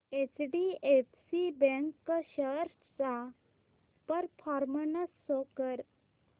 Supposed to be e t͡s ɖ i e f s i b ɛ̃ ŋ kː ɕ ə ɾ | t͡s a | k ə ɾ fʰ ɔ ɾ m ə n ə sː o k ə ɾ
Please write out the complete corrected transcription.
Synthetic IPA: e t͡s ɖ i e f s i b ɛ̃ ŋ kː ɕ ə ɾ | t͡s a | p ə ɾ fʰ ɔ ɾ m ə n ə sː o k ə ɾ

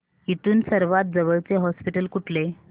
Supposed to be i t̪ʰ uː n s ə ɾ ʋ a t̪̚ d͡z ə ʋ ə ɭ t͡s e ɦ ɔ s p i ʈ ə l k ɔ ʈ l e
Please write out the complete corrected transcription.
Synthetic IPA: i t̪ uː n s ə ɾ ʋ a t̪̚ d͡z ə ʋ ə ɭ t͡s e ɦ ɔ s p i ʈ ə l k u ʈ l e

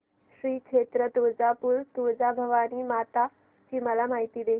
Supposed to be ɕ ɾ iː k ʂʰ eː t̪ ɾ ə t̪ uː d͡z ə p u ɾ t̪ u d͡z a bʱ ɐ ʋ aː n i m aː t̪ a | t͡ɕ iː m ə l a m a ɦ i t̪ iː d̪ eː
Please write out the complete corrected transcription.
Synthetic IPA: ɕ ɾ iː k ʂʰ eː t̪ ɾ ə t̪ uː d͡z a p u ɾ t̪ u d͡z a bʱ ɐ ʋ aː n i m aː t̪ a | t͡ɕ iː m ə l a m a ɦ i t̪ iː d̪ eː

